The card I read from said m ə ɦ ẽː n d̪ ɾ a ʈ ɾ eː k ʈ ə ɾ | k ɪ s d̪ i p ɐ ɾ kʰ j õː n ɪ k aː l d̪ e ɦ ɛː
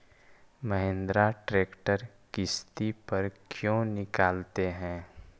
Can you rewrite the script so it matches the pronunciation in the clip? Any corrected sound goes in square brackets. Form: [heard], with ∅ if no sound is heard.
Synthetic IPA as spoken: m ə ɦ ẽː n d̪ ɾ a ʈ ɾ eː k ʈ ə ɾ | k ɪ s [t̪] i p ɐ ɾ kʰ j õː n ɪ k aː l [t̪] e ɦ [ɛ̃ː]